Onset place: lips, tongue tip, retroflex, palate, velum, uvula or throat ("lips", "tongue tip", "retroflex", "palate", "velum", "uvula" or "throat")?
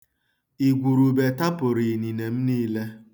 velum